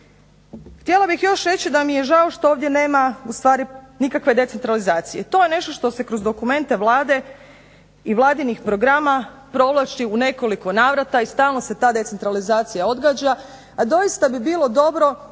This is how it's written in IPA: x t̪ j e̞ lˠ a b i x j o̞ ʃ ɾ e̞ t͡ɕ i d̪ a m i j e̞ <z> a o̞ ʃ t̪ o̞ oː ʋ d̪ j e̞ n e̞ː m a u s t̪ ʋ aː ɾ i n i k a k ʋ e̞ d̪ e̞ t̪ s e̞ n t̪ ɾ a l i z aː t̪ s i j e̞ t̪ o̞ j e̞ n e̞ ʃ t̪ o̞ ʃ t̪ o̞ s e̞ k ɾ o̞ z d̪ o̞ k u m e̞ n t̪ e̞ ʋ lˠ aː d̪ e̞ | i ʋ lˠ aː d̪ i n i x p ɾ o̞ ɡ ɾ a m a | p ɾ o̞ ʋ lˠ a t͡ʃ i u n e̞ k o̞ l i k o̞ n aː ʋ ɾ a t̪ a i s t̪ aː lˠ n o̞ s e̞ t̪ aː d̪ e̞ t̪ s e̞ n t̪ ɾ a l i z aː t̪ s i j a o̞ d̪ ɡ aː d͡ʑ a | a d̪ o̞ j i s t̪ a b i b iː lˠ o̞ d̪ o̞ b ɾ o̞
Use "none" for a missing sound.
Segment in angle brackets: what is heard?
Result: ʒ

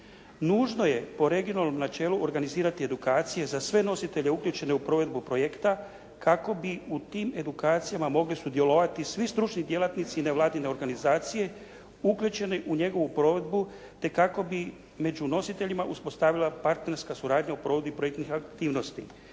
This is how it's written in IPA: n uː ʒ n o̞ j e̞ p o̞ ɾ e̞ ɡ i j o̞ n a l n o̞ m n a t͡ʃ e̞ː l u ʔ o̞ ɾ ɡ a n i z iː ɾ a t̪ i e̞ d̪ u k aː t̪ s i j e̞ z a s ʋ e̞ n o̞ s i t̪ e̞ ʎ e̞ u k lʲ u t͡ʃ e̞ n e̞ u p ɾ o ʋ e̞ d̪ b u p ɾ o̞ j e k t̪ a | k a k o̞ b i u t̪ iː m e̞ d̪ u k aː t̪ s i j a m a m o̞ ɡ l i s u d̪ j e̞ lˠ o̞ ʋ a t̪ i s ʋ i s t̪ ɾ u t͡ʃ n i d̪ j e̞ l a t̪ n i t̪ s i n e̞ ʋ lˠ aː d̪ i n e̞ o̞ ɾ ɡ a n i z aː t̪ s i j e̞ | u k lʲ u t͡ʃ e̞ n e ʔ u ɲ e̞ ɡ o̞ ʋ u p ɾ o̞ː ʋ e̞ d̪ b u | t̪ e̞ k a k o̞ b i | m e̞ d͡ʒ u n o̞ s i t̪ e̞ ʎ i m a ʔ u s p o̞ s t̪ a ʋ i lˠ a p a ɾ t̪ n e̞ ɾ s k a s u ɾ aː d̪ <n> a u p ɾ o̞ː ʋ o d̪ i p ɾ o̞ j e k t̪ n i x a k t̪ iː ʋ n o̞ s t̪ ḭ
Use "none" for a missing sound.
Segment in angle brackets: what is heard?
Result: ɲ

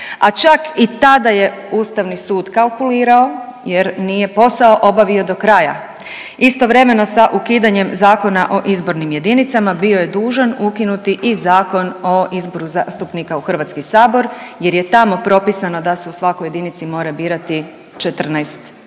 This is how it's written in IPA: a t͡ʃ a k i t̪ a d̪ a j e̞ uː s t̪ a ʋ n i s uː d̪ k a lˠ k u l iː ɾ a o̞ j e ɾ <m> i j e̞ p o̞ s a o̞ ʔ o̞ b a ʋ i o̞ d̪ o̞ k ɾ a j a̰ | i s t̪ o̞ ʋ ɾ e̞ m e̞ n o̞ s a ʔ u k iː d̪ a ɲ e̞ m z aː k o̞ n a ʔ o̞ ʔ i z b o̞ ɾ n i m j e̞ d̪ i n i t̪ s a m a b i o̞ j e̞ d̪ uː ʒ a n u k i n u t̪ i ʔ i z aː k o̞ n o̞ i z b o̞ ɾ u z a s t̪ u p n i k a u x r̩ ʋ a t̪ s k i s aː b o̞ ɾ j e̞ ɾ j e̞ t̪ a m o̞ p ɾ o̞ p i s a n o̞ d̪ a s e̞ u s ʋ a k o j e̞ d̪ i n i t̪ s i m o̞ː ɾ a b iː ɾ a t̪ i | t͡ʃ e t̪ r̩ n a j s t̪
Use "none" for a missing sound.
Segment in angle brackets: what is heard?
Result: n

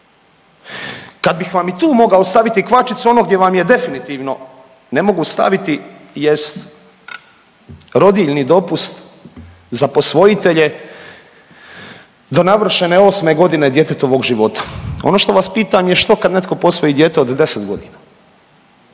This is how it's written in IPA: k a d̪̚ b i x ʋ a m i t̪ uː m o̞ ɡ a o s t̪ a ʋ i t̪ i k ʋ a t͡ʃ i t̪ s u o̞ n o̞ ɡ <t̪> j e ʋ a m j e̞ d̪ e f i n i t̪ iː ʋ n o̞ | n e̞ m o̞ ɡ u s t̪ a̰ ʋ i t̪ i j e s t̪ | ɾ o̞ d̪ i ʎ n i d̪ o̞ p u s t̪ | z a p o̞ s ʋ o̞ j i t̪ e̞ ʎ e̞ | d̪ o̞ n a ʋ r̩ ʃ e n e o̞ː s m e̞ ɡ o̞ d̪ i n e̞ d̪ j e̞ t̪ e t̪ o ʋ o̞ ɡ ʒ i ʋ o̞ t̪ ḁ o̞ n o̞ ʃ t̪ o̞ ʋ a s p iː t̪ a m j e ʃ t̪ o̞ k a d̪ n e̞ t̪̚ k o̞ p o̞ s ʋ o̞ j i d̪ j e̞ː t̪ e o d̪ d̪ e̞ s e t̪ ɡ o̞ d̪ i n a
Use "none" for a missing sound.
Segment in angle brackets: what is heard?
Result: d̪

